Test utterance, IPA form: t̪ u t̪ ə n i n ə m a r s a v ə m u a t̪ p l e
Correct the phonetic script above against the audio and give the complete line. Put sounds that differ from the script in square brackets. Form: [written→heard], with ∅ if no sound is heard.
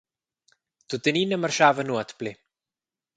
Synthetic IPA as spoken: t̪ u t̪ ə n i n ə m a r [s→ʃ] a v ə [m→n] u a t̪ p l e